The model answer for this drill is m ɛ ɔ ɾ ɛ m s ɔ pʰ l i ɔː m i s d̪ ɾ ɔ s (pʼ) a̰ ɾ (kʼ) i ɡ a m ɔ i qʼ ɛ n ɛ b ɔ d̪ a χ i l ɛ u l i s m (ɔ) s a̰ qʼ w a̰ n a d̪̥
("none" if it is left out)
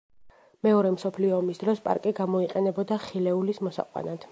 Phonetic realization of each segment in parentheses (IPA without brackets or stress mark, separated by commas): pʼ, kʼ, ɔ